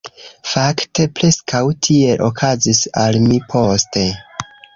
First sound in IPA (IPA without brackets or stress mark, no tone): f